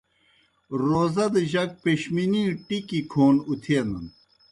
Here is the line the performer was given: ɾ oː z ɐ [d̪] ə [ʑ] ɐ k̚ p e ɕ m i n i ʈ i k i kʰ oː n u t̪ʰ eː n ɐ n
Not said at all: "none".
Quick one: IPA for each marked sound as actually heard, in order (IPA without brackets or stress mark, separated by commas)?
d̪, ʑ